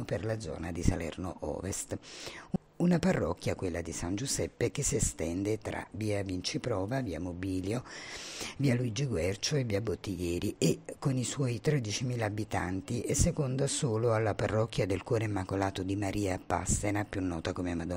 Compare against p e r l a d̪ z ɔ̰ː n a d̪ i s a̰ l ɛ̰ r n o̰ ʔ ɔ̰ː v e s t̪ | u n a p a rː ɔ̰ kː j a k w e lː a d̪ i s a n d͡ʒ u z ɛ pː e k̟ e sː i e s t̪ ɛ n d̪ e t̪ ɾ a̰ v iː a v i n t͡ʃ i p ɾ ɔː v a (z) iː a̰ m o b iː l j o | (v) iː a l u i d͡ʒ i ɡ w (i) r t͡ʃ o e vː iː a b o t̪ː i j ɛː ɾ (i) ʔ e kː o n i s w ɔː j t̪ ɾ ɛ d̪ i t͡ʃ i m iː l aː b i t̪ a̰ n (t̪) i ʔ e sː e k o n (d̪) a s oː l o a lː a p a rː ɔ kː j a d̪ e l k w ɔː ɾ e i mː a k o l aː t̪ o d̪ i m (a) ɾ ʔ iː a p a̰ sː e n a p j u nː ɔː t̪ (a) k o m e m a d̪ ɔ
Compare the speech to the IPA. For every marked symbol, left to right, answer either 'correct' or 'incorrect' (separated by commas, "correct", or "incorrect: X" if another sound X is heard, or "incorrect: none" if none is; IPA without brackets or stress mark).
incorrect: v, correct, incorrect: ɛ, correct, correct, correct, correct, correct